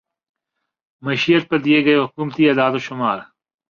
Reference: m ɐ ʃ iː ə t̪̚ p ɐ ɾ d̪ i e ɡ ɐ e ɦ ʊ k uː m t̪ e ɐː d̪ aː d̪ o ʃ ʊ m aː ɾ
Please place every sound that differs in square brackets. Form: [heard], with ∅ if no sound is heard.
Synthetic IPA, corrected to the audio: m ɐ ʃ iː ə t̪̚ p ɐ ɾ d̪ i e ɡ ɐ e ɦ ʊ k uː m t̪ [i] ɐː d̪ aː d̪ o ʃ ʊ m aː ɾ